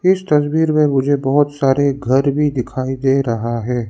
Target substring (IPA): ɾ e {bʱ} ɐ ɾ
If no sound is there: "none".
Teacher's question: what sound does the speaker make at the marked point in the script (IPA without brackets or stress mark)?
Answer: ɡʱ